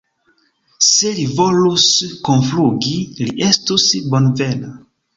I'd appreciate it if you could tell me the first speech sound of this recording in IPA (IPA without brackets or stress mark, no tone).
s